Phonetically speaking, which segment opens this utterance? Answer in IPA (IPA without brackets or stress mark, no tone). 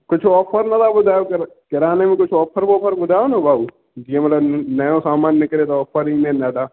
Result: k